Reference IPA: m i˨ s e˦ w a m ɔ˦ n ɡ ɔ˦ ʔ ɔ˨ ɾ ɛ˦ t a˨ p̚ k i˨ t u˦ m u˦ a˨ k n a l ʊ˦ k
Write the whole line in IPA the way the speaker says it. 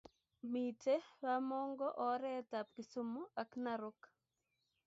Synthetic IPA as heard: m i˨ t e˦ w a m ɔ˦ ŋ ɡ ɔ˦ ʔ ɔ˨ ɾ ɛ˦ t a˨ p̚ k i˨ s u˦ m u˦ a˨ k n a ɾ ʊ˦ k